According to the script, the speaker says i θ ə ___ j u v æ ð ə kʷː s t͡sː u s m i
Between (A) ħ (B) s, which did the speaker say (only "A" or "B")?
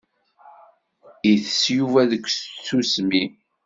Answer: B